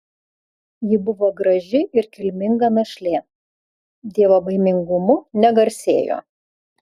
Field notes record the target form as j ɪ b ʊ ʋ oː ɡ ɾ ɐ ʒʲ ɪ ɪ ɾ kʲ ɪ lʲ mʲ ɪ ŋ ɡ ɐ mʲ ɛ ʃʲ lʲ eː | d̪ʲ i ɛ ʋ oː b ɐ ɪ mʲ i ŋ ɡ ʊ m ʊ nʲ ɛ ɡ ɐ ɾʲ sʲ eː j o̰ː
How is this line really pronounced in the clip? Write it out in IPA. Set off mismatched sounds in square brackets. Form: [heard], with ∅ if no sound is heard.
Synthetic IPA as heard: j ɪ b ʊ ʋ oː ɡ ɾ ɐ ʒʲ ɪ ɪ ɾ kʲ ɪ lʲ mʲ ɪ ŋ ɡ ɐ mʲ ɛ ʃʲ lʲ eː | d̪ʲ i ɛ ʋ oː b ɐ ɪ mʲ [ɪ] ŋ ɡ ʊ m ʊ nʲ ɛ ɡ ɐ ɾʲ sʲ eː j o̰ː